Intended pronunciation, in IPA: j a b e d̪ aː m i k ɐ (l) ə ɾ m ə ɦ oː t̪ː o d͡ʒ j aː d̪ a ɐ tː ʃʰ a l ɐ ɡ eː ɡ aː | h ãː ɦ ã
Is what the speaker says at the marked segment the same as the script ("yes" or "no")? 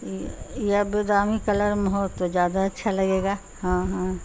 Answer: yes